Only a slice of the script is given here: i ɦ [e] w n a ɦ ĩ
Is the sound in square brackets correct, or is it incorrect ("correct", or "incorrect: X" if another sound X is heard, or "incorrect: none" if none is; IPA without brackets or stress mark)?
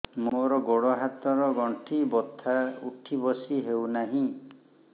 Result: correct